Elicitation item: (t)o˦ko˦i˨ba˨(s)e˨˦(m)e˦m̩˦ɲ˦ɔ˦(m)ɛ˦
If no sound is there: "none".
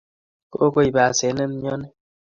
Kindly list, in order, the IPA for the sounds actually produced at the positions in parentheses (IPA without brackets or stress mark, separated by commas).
k, s, n, n